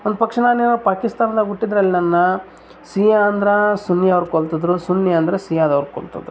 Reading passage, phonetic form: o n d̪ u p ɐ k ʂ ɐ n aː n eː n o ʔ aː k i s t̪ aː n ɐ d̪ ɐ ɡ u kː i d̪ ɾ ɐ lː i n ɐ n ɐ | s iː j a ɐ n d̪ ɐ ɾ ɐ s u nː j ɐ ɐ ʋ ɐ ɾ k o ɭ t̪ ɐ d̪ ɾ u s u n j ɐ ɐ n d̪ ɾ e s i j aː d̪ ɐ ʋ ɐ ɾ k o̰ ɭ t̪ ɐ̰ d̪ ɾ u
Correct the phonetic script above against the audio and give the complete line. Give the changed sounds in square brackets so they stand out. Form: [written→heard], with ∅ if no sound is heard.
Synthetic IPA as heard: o n d̪ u p ɐ k ʂ ɐ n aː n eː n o [ʔ→p] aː k i s t̪ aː n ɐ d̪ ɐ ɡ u [kː→ʈː] i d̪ ɾ ɐ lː i n ɐ [n→nː] ɐ | s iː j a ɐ n d̪ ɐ ɾ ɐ s u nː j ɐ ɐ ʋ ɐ ɾ k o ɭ t̪ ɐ d̪ ɾ u s u n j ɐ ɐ n d̪ ɾ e s i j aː d̪ ɐ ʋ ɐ ɾ k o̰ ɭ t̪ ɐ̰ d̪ ɾ u